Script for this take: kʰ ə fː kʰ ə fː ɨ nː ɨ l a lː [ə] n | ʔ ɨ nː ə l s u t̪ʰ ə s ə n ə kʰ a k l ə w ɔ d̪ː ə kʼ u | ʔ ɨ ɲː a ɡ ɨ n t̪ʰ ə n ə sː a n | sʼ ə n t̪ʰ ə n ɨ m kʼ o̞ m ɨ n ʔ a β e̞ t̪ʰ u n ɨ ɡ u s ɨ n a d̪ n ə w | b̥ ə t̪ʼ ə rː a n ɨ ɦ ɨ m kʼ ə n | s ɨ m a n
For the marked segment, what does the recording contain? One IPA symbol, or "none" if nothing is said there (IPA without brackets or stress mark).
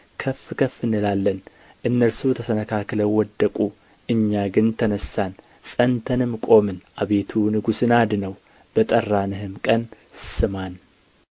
ə